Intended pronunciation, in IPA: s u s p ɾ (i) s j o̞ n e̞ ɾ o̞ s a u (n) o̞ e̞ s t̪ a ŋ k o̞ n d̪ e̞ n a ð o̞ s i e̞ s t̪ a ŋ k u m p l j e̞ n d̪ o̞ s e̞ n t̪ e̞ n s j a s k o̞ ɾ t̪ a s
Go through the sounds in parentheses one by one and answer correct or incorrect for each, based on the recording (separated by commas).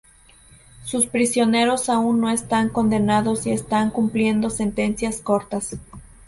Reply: correct, incorrect